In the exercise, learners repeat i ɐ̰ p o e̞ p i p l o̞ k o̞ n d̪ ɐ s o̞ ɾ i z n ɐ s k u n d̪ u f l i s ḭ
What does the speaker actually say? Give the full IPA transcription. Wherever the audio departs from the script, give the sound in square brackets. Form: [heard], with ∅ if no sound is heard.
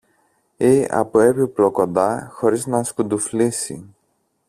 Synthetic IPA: i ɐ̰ p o e̞ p i p l o̞ k o̞ n d̪ ɐ [x] o̞ ɾ i z n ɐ s k u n d̪ u f l i s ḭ